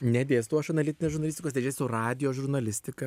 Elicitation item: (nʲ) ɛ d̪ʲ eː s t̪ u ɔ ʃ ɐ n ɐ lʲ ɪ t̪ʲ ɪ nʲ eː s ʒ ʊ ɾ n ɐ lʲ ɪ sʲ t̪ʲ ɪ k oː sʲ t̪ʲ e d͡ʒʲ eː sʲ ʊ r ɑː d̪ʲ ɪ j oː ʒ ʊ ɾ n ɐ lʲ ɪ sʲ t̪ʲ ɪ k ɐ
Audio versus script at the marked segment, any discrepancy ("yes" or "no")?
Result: no